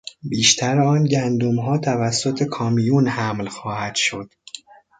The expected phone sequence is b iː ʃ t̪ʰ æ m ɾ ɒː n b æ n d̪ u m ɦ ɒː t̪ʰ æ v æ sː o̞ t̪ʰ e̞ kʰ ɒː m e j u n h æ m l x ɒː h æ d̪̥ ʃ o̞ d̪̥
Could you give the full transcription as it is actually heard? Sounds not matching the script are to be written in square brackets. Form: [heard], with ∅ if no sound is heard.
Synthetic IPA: b iː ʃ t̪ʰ æ [∅] ɾ ɒː n [ɟ] æ n d̪ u m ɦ ɒː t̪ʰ æ v æ sː o̞ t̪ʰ e̞ kʰ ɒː m [i] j u n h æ m l x ɒː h æ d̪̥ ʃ o̞ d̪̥